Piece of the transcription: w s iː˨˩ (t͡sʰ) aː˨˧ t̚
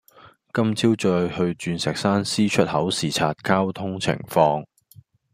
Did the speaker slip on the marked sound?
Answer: no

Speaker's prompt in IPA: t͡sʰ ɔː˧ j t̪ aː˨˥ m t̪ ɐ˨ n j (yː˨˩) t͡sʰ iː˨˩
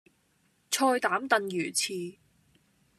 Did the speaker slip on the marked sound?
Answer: no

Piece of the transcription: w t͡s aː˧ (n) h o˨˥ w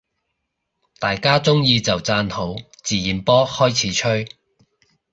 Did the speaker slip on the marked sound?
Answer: no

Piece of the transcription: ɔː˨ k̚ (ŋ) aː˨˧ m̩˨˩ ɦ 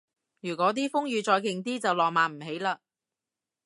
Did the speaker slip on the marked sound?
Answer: yes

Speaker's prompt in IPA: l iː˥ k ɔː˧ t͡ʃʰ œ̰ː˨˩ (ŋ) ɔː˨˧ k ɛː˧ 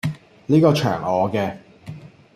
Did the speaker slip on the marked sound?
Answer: no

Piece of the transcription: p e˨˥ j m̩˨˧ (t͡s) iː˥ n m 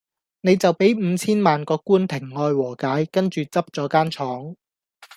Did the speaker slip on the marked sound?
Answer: yes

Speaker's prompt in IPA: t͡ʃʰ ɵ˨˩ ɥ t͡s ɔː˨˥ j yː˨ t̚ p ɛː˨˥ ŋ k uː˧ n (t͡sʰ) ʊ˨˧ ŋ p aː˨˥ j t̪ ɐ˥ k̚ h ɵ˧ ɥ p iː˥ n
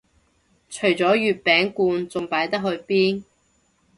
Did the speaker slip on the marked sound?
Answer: yes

